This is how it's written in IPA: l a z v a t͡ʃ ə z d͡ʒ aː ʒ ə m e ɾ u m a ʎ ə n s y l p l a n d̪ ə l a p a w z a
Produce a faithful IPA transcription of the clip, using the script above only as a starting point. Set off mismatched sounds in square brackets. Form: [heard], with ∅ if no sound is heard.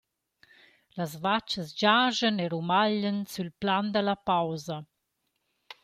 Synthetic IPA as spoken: l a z v a t͡ʃ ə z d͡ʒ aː ʒ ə [n] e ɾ u m a ʎ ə n s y l p l a n d̪ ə l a p a w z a